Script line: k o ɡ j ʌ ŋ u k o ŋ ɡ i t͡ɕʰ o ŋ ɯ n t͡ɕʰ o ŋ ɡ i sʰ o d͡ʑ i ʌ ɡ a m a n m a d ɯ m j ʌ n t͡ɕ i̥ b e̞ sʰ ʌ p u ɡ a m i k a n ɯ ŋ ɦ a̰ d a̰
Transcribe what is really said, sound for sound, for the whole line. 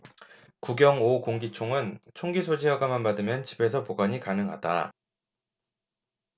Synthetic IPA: k u ɡ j ʌ ŋ o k o ŋ ɡ i t͡ɕʰ o ŋ ɯ n t͡ɕʰ o ŋ ɡ i sʰ o d͡ʑ i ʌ ɡ a m a n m a d ɯ m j ʌ n t͡ɕ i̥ b e̞ sʰ ʌ p o ɡ a ɲ i k a n ɯ ŋ ɦ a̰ d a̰